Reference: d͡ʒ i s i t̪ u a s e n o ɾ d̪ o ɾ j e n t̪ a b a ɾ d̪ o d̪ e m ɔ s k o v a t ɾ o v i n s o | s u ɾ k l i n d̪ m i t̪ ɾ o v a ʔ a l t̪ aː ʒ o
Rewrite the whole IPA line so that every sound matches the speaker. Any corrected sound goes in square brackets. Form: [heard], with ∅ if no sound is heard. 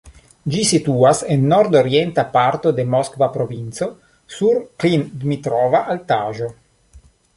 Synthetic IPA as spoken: d͡ʒ i s i t̪ u a s e [nː] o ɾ d̪ o ɾ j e n t̪ a [p] a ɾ [t̪] o d̪ e m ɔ s k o v a [p] ɾ o v i n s o | s u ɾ k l i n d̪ m i t̪ ɾ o v a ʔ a l t̪ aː ʒ o